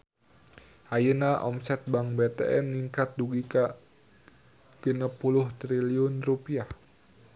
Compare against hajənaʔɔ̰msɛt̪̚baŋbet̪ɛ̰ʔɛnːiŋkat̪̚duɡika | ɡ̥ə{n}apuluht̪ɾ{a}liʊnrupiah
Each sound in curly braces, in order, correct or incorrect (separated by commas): correct, incorrect